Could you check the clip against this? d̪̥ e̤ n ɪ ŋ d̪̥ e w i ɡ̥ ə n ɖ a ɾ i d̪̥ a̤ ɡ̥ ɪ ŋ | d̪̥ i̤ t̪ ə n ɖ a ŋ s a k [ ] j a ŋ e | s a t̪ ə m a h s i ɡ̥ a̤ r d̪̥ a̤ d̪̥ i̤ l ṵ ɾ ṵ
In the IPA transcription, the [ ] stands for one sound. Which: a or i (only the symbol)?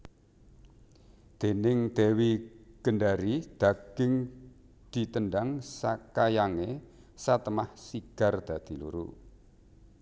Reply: a